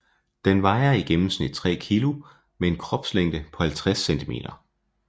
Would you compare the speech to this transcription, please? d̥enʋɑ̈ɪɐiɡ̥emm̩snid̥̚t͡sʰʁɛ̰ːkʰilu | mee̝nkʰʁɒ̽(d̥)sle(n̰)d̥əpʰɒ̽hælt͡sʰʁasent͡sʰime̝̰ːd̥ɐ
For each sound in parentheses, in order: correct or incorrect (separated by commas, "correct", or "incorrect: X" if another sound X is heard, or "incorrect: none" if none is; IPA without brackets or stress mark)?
incorrect: b̥, incorrect: ŋ̰